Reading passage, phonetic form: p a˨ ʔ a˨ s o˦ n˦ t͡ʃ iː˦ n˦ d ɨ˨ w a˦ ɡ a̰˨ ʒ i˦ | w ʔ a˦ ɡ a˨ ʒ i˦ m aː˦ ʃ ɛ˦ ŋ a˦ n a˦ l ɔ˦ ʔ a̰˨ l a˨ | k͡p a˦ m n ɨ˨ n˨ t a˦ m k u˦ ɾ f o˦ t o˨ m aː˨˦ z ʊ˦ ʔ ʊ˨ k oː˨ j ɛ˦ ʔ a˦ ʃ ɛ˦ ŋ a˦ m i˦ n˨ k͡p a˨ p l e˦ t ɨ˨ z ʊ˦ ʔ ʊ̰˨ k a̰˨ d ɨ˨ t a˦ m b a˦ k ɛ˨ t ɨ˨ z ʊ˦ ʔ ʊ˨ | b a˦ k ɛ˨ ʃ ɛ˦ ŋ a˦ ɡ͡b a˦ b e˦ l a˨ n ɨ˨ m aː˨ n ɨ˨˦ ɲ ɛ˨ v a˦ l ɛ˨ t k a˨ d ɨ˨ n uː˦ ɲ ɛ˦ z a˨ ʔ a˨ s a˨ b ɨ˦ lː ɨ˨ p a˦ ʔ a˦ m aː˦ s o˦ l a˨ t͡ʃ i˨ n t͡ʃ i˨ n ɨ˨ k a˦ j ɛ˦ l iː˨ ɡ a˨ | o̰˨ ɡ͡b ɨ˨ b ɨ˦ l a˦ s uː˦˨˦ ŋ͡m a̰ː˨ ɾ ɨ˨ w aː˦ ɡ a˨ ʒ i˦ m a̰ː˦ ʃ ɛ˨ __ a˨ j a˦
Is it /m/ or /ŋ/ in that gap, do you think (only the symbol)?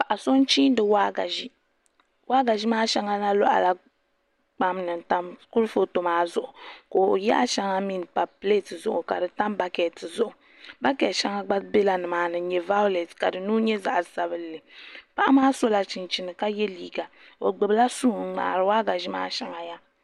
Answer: ŋ